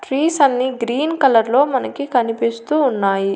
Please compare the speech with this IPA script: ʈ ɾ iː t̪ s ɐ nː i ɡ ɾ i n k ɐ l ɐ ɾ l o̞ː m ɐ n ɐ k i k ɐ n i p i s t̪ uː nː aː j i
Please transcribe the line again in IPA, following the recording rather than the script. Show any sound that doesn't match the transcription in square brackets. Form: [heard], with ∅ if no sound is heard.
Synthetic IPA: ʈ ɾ iː [∅] s ɐ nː i ɡ ɾ [iː] n k ɐ l ɐ ɾ l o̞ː m ɐ n ɐ k i k ɐ n i p i s t̪ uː nː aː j i